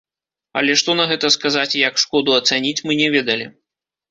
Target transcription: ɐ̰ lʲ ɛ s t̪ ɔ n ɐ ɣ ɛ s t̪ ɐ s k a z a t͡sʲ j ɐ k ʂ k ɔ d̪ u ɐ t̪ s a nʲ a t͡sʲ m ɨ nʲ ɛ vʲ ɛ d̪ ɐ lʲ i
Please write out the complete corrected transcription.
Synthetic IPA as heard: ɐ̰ lʲ ɛ ʂ t̪ ɔ n ɐ ɣ ɛ t̪ ɐ s k a z a t͡sʲ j ɐ k ʂ k ɔ d̪ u ɐ t̪ s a nʲ i t͡sʲ m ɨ nʲ ɛ vʲ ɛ d̪ ɐ lʲ i